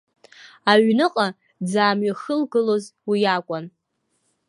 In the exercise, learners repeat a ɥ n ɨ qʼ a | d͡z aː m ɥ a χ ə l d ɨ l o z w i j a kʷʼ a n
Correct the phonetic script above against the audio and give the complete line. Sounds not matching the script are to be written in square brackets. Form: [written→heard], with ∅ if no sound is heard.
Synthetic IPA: a ɥ n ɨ qʼ a | d͡z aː m ɥ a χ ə l [d→ɡ] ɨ l o z w i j a kʷʼ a n